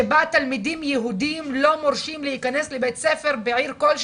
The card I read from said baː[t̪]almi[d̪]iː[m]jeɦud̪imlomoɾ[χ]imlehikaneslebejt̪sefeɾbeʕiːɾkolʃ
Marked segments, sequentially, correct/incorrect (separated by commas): correct, correct, correct, incorrect